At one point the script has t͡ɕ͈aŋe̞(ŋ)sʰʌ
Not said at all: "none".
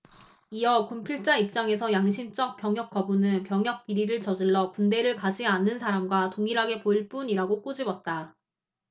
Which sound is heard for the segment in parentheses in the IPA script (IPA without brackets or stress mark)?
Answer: none